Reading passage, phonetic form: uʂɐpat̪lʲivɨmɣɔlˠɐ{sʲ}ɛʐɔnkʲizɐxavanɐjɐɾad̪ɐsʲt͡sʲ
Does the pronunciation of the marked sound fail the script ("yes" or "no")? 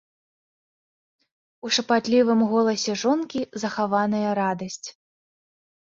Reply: no